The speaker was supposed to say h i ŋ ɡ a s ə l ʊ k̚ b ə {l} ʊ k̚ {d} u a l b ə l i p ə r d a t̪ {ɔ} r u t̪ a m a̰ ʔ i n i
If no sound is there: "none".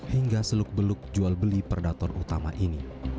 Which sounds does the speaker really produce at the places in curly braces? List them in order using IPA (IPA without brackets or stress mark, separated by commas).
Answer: l, d͡ʒ, ɔ